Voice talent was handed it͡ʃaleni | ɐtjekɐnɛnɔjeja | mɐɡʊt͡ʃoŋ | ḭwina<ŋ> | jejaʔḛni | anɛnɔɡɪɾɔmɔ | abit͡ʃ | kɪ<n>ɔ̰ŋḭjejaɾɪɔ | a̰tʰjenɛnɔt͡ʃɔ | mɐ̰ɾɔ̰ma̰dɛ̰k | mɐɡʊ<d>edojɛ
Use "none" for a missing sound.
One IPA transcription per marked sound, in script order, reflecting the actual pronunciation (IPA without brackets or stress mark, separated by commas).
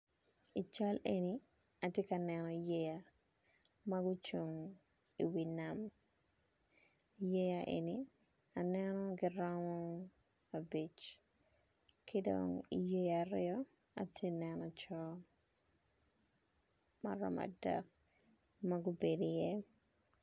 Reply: m, d, b